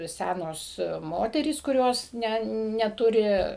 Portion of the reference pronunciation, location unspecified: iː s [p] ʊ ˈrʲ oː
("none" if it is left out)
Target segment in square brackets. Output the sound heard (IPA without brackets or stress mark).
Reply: k